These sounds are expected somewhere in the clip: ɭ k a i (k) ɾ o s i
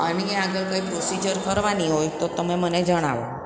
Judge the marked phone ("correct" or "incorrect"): incorrect